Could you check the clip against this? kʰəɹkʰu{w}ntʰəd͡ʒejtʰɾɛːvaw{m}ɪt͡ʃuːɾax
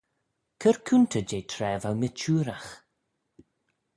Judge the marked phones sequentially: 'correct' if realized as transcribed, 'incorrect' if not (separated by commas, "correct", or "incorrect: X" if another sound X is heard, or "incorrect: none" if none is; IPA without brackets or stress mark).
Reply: incorrect: none, correct